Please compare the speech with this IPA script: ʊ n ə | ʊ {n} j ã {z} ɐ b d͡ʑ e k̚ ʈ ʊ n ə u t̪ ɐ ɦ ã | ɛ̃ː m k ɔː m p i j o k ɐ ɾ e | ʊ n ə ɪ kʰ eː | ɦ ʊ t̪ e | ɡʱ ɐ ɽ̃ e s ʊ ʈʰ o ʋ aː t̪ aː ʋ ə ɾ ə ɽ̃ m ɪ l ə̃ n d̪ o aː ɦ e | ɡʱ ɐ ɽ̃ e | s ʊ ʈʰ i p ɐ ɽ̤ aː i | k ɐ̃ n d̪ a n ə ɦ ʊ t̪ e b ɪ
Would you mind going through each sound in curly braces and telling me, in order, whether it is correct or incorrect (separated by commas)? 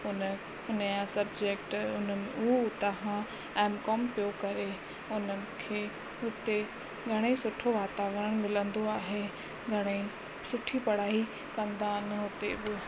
correct, incorrect